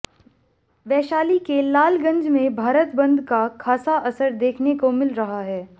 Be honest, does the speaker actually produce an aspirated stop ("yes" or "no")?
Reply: yes